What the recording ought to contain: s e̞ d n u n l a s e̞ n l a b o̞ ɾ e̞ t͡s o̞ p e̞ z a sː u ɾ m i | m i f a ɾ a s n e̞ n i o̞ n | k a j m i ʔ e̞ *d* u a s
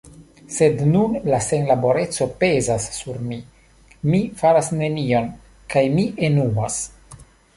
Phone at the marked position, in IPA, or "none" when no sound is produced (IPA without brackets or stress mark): n